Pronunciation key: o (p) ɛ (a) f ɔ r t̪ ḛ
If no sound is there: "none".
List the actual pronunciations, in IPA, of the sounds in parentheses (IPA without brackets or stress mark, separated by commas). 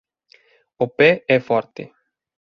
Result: p, ɛ